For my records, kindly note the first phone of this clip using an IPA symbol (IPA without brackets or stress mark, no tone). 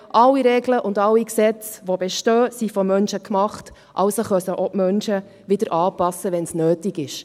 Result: ʔ